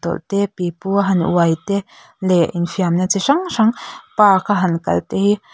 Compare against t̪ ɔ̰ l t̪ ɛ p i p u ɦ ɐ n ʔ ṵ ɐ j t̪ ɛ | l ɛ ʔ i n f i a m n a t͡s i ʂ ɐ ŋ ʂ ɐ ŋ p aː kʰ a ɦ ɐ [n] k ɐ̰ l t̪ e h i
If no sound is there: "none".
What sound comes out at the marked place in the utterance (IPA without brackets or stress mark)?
n